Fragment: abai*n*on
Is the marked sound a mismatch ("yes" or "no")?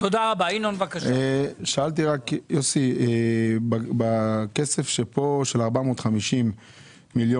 no